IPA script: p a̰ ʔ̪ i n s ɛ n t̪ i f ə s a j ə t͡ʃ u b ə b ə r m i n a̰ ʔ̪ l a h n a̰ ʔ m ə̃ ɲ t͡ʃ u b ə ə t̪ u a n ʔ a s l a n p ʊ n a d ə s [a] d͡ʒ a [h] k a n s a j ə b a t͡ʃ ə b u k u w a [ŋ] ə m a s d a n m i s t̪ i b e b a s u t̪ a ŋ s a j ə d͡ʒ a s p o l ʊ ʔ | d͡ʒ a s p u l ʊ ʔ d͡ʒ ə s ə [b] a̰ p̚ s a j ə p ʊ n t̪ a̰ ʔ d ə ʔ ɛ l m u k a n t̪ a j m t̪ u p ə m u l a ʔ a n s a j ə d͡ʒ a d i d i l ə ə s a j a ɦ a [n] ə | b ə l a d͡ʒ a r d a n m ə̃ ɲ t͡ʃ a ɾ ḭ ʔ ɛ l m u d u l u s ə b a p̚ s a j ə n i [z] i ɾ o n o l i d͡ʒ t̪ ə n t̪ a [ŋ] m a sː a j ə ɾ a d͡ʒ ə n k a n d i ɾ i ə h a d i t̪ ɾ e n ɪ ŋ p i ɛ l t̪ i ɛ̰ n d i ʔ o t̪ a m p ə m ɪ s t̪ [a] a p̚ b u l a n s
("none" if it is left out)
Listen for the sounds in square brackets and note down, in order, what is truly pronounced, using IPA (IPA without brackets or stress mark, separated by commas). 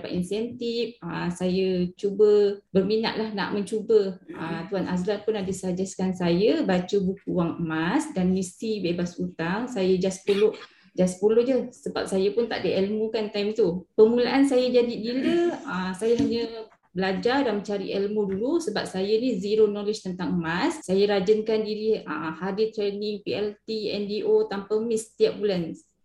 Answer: a, s, ŋ, b, ɲ, z, ŋ, i